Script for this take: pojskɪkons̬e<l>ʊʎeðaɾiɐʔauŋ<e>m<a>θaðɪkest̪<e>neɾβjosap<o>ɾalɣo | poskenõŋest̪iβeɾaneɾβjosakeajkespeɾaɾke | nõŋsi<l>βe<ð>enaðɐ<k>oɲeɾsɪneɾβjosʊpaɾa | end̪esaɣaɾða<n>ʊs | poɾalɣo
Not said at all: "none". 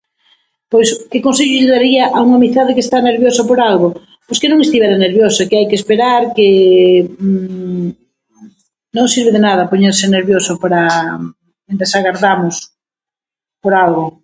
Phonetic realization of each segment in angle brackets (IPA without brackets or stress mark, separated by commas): ʎ, a, i, a, o, ɾ, ð, p, m